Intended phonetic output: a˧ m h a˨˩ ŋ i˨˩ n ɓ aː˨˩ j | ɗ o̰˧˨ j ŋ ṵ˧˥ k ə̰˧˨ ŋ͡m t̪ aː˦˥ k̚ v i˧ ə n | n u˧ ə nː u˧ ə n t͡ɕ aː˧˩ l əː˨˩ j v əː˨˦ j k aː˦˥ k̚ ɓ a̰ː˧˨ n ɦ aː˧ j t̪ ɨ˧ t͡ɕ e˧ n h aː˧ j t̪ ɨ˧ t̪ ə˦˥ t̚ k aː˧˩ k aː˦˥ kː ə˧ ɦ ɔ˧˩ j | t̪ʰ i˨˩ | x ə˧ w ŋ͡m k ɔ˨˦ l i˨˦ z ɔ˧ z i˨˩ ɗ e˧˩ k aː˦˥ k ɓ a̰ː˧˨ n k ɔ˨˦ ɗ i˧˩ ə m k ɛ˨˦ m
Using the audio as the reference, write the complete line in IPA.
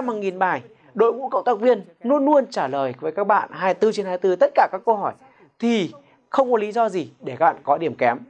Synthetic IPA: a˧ m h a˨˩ ŋ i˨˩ n ɓ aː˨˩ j | ɗ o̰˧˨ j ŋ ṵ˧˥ k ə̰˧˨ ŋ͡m t̪ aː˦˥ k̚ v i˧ ə n | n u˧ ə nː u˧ ə n t͡ɕ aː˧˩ l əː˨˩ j v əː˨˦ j k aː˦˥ k̚ ɓ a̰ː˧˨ n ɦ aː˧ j t̪ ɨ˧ t͡ɕ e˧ n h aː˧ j t̪ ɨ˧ t̪ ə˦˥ t̚ k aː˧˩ k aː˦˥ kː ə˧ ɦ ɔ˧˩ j | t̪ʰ i˨˩ | x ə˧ w ŋ͡m k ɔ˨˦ l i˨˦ z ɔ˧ z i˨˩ ɗ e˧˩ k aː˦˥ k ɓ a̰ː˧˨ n k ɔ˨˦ ɗ i˧˩ ə m k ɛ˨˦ m